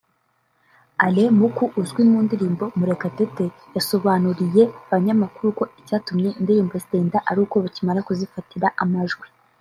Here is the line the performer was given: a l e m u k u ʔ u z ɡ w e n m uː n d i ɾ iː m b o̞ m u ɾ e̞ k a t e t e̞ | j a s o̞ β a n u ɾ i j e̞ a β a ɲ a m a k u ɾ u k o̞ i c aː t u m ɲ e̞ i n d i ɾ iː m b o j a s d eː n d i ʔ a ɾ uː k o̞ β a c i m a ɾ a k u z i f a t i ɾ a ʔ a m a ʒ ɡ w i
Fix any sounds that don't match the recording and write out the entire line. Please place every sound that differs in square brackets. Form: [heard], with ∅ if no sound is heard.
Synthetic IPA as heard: a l e m u k u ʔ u z ɡ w [i] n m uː n d i ɾ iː m b o̞ m u ɾ e̞ k a t e t e̞ | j a s o̞ β a n u ɾ i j e̞ a β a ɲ a m a k u ɾ u k o̞ i c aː t u m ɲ e̞ i n d i ɾ iː m b o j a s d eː n d [a] ʔ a ɾ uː k o̞ β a c i m a ɾ a k u z i f a t i ɾ a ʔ a m a ʒ ɡ w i